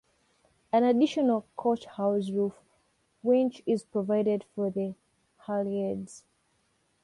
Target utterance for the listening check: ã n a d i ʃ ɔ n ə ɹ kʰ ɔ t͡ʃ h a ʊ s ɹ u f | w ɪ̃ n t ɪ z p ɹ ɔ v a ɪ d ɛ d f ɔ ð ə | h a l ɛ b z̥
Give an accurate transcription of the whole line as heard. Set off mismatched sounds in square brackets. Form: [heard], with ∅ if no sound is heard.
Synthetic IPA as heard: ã n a d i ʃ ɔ n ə [l] kʰ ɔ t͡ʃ h a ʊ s ɹ u f | w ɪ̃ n [t͡ʃ] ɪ z p ɹ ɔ v a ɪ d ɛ d f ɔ ð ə | h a l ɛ [d] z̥